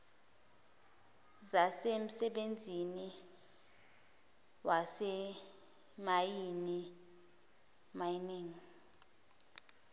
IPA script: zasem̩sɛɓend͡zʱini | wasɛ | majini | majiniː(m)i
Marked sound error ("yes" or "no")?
yes